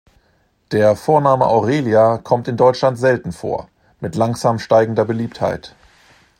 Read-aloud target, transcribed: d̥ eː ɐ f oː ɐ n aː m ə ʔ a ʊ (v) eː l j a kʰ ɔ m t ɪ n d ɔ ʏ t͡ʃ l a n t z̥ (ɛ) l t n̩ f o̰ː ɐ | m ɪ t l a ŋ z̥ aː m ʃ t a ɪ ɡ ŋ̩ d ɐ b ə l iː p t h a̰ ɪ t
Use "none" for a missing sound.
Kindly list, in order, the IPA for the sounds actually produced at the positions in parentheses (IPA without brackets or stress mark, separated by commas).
ʁ, ɛ